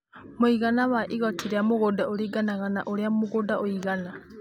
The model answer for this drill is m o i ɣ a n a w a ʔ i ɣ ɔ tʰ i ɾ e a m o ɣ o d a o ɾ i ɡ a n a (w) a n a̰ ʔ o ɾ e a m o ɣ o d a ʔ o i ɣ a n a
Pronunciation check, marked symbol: incorrect: ɣ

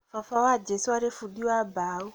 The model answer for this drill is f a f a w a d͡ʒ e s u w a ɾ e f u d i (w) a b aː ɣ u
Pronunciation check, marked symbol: correct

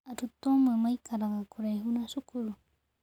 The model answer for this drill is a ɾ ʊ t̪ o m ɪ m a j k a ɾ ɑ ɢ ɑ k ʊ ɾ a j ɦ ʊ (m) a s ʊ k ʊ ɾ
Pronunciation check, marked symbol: incorrect: n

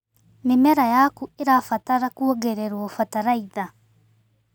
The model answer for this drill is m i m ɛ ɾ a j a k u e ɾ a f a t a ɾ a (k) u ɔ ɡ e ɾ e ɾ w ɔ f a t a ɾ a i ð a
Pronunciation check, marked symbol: correct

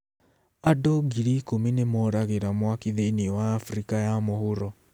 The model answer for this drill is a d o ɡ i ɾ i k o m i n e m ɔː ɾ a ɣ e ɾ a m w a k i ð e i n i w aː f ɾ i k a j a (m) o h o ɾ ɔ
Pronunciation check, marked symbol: correct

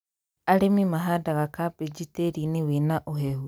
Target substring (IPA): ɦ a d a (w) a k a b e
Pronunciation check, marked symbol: incorrect: ɣ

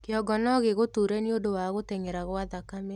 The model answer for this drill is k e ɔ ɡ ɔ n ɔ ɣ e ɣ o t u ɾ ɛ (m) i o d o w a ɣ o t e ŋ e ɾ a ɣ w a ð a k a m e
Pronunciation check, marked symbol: incorrect: n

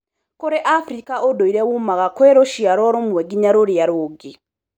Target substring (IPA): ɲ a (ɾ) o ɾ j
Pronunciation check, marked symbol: correct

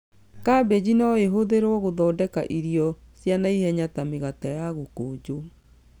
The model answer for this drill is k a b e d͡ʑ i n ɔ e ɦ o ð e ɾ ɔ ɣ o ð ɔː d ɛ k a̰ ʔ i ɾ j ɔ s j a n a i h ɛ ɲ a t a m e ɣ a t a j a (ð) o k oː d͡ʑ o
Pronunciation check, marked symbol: incorrect: ɣ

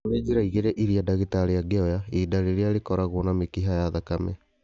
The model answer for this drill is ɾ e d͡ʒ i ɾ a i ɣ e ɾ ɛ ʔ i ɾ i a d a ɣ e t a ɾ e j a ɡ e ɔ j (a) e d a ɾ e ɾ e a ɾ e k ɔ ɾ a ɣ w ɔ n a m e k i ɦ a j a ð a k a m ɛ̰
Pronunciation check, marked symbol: correct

